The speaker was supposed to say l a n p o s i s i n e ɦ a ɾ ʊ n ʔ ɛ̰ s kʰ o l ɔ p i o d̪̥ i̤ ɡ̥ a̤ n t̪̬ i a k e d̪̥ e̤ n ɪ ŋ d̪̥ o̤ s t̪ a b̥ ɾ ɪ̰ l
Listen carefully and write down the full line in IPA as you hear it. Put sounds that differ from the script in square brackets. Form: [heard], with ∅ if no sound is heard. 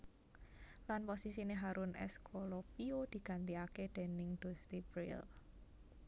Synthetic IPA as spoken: l a n p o s i s i n e ɦ a ɾ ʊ n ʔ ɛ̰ s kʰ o l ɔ p i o d̪̥ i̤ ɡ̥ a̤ n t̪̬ i a k e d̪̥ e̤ n ɪ ŋ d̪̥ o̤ s t̪ [i] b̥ ɾ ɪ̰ l